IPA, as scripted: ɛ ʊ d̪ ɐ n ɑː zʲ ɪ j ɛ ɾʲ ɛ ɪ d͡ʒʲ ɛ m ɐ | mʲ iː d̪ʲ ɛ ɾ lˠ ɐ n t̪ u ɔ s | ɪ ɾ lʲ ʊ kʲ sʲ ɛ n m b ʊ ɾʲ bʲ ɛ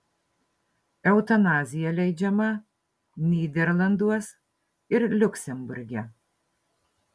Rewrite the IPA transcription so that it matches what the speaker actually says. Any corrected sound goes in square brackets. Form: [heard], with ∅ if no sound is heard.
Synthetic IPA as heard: ɛ ʊ [t̪] ɐ n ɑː zʲ ɪ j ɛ [lʲ] ɛ ɪ d͡ʒʲ ɛ m ɐ | [nʲ] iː d̪ʲ ɛ ɾ lˠ ɐ n [d̪] u ɔ s | ɪ ɾ lʲ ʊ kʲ sʲ ɛ [∅] m b ʊ ɾʲ [ɡʲ] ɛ